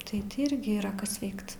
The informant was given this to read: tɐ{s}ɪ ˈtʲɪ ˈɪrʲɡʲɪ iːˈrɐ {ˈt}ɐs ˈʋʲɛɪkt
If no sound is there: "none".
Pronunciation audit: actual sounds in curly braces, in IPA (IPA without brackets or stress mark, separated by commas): none, k